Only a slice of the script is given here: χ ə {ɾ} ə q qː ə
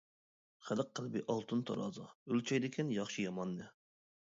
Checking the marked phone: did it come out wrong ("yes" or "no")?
yes